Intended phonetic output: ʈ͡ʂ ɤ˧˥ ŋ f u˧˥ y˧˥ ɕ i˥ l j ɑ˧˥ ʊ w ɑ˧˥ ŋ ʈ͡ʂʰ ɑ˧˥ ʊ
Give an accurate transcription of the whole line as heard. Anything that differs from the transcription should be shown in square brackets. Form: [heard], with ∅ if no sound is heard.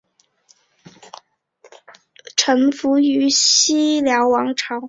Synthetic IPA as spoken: [ʈ͡ʂʰ] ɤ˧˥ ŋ f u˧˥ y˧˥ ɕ i˥ l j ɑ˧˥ ʊ w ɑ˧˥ ŋ ʈ͡ʂʰ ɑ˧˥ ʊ